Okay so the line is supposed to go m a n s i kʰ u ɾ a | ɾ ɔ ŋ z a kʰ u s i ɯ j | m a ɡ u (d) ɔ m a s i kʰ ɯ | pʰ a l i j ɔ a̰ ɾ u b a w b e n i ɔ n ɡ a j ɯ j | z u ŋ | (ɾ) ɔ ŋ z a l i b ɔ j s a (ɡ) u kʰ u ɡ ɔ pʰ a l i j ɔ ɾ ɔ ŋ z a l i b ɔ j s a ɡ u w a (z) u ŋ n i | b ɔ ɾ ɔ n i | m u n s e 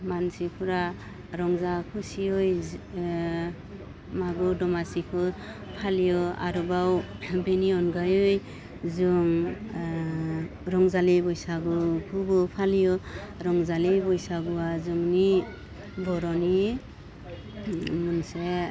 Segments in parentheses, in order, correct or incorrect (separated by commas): correct, correct, correct, correct